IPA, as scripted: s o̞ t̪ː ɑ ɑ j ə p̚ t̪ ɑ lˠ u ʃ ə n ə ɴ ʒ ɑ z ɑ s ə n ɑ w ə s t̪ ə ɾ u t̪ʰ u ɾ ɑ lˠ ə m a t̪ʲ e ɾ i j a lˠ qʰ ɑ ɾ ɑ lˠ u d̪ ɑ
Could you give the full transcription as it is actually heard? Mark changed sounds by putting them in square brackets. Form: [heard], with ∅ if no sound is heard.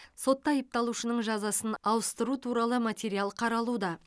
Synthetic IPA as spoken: s o̞ t̪ː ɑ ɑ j ə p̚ t̪ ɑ lˠ u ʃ ə n ə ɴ ʒ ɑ z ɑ s ə n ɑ w ə s t̪ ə ɾ u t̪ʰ u ɾ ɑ lˠ ə m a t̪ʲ e ɾ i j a lˠ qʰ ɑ ɾ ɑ lˠ u d̪ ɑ